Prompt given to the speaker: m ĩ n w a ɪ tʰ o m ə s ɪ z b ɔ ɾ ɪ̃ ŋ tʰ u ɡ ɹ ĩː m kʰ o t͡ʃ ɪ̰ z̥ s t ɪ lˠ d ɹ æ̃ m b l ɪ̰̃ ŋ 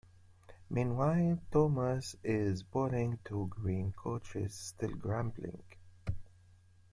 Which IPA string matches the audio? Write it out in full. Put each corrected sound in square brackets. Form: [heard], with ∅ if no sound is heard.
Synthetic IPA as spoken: m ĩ n w a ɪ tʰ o m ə s ɪ z b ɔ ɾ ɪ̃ ŋ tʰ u ɡ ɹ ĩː [n] kʰ o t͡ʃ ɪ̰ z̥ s t ɪ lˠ [ɡ] ɹ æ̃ m b l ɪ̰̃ ŋ